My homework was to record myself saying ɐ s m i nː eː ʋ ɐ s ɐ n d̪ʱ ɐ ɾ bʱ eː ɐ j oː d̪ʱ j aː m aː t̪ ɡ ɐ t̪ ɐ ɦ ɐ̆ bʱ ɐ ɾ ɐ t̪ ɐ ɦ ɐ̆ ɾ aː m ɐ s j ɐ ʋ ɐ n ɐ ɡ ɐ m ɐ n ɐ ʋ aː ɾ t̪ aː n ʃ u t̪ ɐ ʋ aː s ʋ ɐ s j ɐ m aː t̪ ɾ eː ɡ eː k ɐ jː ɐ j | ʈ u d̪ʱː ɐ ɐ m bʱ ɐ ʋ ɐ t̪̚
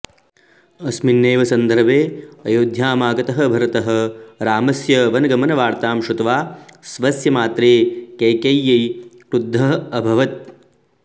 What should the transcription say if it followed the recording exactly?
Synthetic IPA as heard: ɐ s m i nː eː ʋ ɐ s ɐ n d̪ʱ ɐ ɾ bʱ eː ɐ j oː d̪ʱ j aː m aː ɡ ɐ t̪ ɐ ɦ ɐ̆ bʱ ɐ ɾ ɐ t̪ ɐ ɦ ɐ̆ ɾ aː m ɐ s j ɐ ʋ ɐ n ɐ ɡ ɐ m ɐ n ɐ ʋ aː ɾ t̪ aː m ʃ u t̪ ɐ ʋ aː s ʋ ɐ s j ɐ m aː t̪ ɾ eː k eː k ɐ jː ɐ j | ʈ u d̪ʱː ɐ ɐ bʱ ɐ ʋ ɐ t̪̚